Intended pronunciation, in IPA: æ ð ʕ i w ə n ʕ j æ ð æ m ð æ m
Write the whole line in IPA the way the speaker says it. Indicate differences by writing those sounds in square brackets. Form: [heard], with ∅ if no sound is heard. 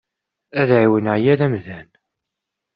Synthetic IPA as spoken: æ ð ʕ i w ə n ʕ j æ ð æ m ð æ [n]